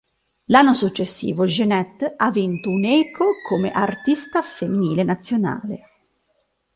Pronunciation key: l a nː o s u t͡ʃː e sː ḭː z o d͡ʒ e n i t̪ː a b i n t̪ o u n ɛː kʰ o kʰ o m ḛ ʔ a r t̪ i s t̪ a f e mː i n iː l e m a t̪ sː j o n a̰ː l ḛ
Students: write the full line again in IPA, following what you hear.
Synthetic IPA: l a nː o s u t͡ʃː e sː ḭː v o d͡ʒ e n ɛ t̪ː a v i n t̪ o u n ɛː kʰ o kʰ o m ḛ ʔ a r t̪ i s t̪ a f e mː i n iː l e n a t̪ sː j o n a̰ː l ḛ